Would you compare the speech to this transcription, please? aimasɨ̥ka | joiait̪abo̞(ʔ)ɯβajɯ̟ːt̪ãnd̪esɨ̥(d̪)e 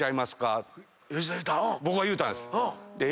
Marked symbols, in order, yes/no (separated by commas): no, yes